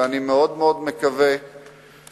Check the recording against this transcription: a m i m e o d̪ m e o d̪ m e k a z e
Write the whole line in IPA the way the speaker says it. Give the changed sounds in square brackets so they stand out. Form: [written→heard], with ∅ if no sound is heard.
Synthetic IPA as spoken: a [m→n] i m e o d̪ m e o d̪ m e k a [z→v] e